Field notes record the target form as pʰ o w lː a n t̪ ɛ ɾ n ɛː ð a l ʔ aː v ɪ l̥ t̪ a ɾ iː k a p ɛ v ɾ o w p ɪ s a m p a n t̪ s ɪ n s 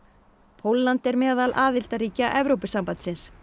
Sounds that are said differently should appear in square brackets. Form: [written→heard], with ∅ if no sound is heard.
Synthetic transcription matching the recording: pʰ o w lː a n t̪ ɛ ɾ [n→m] ɛː ð a l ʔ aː [v→ð] ɪ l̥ t̪ a ɾ iː [k→c] a [p→ʔ] ɛ v ɾ o w p ɪ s a m p a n t̪ s ɪ n s